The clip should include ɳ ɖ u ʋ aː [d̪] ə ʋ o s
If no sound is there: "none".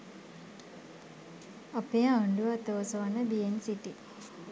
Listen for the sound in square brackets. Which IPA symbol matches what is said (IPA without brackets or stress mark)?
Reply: t̪